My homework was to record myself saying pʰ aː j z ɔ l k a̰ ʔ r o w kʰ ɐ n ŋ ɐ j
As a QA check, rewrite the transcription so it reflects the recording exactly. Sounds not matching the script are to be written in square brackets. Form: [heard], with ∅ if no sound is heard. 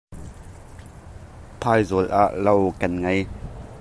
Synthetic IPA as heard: pʰ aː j z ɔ l [ʔ] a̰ ʔ [l] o w [k] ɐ n ŋ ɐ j